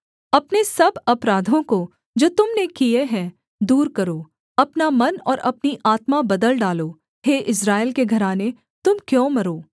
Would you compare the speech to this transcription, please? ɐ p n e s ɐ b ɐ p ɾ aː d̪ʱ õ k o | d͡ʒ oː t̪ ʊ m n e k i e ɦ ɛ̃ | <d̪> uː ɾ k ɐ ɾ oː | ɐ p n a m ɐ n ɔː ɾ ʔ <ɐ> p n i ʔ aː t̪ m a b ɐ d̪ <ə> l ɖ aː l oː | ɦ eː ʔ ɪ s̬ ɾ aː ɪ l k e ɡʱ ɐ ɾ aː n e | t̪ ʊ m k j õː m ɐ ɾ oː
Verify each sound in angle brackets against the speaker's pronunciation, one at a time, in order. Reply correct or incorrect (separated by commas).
correct, correct, correct